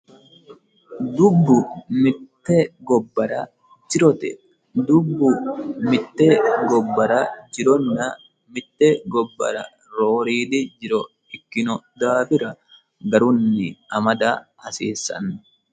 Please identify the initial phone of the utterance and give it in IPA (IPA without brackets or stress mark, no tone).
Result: d̪